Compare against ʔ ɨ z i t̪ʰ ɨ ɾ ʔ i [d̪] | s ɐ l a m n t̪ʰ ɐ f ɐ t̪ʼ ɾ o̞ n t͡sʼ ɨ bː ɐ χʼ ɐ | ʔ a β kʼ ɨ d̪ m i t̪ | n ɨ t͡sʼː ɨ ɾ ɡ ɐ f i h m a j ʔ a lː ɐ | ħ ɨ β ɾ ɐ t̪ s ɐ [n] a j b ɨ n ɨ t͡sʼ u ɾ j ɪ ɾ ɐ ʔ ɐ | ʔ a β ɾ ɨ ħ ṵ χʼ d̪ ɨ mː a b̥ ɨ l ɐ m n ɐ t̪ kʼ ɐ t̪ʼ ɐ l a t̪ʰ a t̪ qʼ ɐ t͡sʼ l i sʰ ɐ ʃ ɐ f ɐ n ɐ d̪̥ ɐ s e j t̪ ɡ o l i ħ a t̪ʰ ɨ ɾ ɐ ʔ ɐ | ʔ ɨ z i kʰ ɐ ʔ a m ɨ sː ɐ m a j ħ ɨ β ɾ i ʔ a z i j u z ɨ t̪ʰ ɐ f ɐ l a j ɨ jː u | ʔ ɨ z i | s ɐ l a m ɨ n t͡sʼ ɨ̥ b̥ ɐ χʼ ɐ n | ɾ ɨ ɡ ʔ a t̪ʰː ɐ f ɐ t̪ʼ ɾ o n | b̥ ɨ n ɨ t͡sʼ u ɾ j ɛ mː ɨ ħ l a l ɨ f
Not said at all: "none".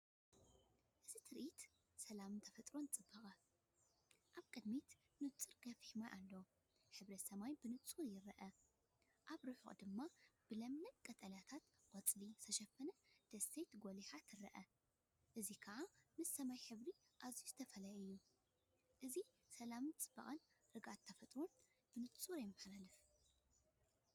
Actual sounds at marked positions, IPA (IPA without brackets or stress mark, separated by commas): t̪, m